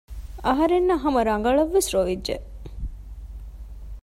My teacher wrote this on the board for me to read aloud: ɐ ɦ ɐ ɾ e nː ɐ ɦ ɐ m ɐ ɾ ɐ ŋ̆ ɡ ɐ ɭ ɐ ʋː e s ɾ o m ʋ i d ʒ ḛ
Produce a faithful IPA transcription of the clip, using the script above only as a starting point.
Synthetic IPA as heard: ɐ ɦ ɐ ɾ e nː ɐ ɦ ɐ m ɐ ɾ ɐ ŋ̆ ɡ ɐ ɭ ɐ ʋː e s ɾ o ʋ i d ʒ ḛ